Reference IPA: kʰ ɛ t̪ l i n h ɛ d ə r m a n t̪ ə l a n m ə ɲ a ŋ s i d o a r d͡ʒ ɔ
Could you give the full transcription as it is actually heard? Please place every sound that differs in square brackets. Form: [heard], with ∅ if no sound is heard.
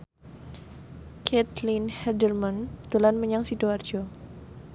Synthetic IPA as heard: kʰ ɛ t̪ l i n h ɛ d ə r m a n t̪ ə l a n m ə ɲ a ŋ s i d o a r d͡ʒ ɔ